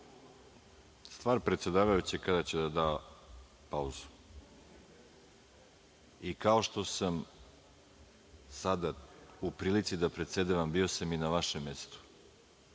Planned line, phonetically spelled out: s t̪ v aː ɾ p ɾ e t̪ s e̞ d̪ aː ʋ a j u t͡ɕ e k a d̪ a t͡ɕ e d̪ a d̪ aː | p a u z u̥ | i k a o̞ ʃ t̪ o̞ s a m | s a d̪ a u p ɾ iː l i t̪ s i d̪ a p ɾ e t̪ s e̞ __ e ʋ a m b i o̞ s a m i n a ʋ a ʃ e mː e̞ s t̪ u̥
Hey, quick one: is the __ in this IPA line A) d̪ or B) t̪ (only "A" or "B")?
A